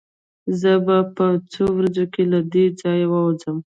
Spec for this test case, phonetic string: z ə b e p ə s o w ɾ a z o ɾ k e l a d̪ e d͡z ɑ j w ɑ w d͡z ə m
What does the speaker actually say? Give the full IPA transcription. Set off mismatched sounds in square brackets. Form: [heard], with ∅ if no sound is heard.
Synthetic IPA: z ə b [a] p ə [t͡s] o w ɾ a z o [∅] k e l a d̪ e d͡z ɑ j w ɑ w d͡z ə m